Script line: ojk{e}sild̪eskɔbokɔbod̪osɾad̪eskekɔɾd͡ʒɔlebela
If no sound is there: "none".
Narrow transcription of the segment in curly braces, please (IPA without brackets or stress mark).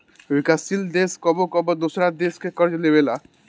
a